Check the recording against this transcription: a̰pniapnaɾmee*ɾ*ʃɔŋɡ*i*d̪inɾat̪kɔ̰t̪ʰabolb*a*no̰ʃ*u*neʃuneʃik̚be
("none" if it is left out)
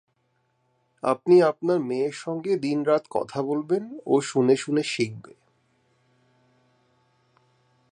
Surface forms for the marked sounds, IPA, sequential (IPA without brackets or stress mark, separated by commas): ɾ, e, e, u